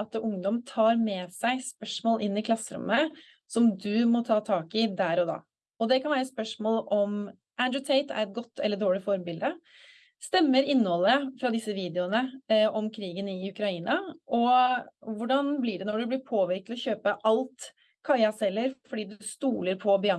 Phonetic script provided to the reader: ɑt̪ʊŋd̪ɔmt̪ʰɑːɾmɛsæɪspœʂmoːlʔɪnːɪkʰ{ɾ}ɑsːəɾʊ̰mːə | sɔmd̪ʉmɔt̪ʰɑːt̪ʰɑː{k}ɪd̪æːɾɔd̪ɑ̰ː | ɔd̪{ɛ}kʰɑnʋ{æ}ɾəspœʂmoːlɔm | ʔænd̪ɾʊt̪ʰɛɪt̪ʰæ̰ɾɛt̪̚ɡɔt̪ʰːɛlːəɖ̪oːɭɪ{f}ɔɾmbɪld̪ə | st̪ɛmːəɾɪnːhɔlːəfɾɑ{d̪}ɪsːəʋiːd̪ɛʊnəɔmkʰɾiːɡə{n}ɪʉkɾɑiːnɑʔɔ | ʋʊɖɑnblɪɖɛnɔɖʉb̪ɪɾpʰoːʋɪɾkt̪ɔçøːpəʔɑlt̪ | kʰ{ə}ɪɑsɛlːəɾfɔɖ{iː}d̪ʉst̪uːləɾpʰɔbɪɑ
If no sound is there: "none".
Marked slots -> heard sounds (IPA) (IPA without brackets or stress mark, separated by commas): l, k, ɛ, æː, f, d̪, n, ɑ, iː